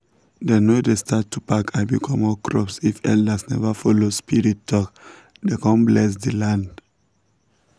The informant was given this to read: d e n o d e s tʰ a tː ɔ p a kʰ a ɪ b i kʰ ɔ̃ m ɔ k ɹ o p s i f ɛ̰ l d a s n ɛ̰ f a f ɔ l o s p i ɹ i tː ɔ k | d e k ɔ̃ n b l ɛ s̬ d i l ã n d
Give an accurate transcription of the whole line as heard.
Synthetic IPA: d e n o d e s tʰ a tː u p a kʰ a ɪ b i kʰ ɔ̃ m ɔ k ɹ ɔ p s i f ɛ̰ l d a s n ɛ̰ v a f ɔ l o s p i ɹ i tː ɔ k | d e k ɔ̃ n b l ɛ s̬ d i l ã n d